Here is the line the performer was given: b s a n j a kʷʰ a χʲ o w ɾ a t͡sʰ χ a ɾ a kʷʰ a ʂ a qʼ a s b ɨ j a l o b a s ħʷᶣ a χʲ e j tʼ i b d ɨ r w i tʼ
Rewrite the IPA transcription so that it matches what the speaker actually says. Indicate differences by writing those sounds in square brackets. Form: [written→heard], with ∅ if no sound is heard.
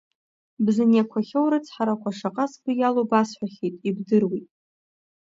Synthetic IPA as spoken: b [s→z] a n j a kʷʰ a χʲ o w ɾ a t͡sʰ [χ→ħ] a ɾ a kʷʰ a ʂ a qʼ a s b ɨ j a l o b a s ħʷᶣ a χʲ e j tʼ i b d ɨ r w i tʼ